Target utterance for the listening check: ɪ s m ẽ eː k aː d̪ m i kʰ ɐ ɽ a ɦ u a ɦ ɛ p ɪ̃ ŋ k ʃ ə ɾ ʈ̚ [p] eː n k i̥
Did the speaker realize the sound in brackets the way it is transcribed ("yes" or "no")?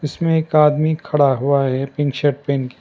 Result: yes